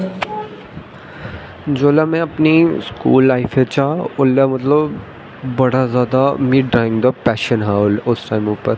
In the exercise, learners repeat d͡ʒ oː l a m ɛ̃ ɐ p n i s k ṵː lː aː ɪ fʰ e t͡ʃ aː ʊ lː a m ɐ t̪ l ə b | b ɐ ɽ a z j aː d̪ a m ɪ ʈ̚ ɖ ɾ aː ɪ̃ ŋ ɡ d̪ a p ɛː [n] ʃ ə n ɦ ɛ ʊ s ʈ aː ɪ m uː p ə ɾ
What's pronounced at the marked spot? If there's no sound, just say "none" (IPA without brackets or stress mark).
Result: none